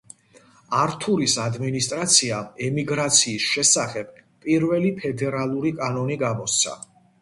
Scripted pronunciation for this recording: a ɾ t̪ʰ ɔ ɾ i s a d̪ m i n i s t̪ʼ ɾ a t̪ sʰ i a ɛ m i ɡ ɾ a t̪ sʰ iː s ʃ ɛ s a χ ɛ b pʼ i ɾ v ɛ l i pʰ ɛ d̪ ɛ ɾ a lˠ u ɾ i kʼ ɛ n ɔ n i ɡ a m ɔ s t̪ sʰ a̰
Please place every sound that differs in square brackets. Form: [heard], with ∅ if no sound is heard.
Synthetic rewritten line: a ɾ t̪ʰ [u] ɾ i s a d̪ m i n i s t̪ʼ ɾ a t̪ sʰ i a ɛ m i ɡ ɾ a t̪ sʰ iː s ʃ ɛ s a χ ɛ b pʼ i ɾ v ɛ l i pʰ ɛ d̪ ɛ ɾ a lˠ u ɾ i kʼ [a] n ɔ n i ɡ a m ɔ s t̪ sʰ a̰